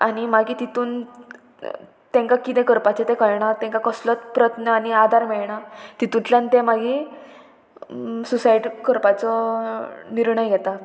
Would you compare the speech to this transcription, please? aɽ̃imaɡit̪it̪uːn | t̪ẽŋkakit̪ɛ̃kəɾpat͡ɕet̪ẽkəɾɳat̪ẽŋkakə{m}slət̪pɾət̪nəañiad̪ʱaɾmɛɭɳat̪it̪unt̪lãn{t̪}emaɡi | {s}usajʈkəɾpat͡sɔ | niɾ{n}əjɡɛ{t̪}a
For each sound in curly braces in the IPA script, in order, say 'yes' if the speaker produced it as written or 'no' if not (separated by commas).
no, yes, yes, no, yes